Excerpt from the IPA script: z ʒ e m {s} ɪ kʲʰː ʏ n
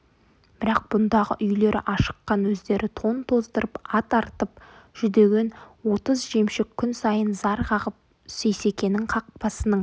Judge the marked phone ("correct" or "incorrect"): incorrect